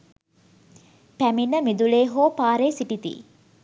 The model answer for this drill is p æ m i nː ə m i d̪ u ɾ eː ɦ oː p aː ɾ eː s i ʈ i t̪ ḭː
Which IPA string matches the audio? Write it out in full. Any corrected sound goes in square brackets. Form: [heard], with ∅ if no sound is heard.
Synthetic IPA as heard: p æ m i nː ə m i d̪ u [l] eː ɦ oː p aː ɾ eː s i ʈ i t̪ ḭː